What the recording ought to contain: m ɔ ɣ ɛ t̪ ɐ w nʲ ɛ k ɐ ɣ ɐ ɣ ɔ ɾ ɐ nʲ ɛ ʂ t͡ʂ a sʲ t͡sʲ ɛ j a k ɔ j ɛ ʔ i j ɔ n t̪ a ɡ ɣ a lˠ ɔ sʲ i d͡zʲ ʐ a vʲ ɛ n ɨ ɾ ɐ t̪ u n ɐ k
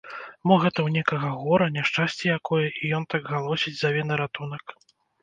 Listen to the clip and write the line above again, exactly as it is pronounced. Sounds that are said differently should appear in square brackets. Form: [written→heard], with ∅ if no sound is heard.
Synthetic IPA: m ɔ ɣ ɛ t̪ ɐ w nʲ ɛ k ɐ ɣ ɐ ɣ ɔ ɾ ɐ nʲ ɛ ʂ t͡ʂ a sʲ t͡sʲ ɛ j a k ɔ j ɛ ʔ i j ɔ n t̪ a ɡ ɣ a lˠ ɔ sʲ i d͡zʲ [ʐ→z] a vʲ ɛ n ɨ ɾ [ɐ→a] t̪ u n ɐ k